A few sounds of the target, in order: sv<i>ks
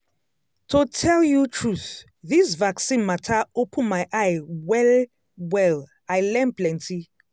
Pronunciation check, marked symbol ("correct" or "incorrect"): incorrect